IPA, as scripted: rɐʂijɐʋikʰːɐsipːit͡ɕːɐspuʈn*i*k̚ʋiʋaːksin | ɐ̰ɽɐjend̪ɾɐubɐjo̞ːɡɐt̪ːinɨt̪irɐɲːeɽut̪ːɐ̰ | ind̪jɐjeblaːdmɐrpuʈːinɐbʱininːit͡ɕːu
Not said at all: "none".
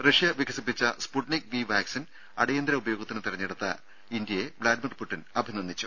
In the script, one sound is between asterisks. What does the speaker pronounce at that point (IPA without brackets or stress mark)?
i